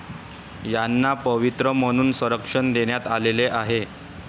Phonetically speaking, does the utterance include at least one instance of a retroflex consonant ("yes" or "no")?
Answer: yes